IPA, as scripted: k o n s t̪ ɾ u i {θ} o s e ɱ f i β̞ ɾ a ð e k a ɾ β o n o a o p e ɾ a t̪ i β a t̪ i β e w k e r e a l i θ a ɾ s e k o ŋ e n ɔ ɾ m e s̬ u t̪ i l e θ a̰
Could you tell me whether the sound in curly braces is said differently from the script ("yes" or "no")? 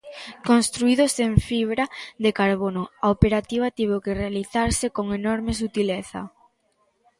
yes